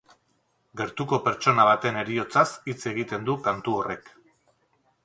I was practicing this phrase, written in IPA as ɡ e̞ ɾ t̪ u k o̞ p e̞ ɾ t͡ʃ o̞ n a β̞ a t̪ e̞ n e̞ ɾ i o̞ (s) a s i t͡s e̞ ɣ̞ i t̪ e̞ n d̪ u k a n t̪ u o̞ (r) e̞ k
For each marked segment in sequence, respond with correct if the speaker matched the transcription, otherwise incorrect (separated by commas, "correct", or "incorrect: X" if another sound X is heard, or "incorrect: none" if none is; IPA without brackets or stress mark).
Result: incorrect: t͡s, correct